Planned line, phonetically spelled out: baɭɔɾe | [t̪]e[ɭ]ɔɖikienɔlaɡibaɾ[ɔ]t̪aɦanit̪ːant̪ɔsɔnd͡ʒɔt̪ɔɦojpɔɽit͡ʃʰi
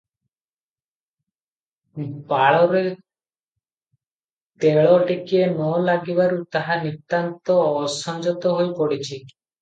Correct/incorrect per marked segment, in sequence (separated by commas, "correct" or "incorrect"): correct, correct, incorrect